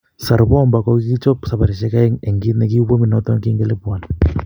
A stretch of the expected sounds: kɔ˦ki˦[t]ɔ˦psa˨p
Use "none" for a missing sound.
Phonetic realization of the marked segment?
t͡ʃ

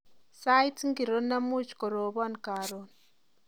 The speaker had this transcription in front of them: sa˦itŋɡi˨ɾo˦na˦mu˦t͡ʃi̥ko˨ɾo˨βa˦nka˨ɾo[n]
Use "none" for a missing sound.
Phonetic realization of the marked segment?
n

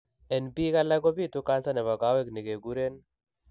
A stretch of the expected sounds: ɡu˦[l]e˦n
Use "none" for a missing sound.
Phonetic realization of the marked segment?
ɾ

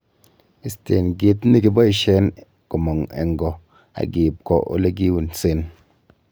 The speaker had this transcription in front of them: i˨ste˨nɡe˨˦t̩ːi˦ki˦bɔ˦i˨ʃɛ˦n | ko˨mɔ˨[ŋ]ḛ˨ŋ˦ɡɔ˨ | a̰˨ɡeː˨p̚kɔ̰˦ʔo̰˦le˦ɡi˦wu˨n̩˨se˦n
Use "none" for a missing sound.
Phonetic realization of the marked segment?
ŋ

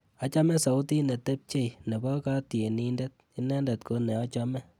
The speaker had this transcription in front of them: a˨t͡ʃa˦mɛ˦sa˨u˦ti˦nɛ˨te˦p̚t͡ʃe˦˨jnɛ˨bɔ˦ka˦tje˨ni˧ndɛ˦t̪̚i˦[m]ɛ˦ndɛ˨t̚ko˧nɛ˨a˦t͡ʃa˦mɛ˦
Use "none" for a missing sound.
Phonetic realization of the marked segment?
n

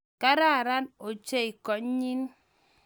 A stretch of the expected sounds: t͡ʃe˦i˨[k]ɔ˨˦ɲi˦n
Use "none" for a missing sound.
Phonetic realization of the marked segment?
k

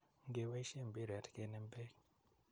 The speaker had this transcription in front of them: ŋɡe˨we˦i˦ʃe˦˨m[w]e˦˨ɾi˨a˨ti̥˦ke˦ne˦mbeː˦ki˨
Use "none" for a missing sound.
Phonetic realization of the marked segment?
b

